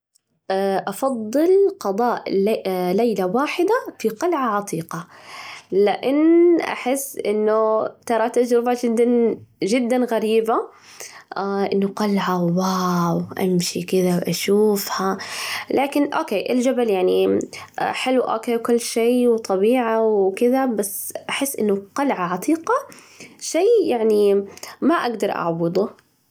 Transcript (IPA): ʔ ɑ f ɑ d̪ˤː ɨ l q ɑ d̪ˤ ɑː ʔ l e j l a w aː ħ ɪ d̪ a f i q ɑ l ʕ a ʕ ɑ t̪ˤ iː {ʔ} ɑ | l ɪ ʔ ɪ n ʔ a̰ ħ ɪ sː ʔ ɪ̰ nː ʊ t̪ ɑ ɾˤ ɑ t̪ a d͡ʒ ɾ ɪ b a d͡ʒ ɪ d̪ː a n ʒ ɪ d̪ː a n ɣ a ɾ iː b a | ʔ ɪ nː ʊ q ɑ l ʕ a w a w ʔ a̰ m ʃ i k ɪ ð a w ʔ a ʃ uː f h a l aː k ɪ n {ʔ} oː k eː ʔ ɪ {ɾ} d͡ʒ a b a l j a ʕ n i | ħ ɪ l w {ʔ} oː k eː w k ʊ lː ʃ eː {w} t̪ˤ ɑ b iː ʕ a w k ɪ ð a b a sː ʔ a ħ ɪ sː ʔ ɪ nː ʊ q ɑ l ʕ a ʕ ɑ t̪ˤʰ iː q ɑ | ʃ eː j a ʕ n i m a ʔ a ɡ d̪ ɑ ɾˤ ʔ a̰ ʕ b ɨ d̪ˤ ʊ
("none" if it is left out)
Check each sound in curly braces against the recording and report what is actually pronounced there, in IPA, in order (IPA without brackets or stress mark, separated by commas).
q, ʔ, l, ʔ, w